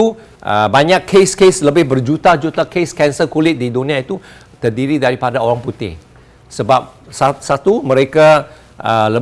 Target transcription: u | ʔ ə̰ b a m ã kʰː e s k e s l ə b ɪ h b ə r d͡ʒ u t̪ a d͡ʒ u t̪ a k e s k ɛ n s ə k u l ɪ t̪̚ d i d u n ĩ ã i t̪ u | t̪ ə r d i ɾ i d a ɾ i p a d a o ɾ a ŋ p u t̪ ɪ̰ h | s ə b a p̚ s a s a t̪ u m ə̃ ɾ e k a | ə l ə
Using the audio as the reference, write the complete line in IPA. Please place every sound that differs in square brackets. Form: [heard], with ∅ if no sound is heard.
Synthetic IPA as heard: u | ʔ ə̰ b a [ɲ] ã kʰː e s k e s l ə b ɪ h b ə r d͡ʒ u t̪ a d͡ʒ u t̪ a k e s k ɛ n s ə k u l ɪ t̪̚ d i d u n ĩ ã i t̪ u | t̪ ə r d i ɾ i d a ɾ i p a d a o ɾ a ŋ p u t̪ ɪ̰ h | s ə b a p̚ s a s a t̪ u m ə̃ ɾ e k a | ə l ə